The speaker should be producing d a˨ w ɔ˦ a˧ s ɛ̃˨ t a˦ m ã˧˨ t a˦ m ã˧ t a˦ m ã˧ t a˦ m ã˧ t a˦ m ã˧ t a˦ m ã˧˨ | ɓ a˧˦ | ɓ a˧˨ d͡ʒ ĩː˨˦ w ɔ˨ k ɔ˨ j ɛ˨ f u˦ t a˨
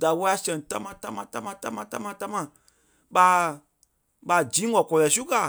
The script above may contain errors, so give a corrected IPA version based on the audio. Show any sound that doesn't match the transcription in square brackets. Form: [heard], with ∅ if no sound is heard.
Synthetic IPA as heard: d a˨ w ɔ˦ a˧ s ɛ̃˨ t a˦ m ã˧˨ t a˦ m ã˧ t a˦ m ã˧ t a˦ m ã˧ t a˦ m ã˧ t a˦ m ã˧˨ | ɓ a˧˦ | ɓ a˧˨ d͡ʒ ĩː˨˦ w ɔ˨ k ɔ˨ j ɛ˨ [s] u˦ [k] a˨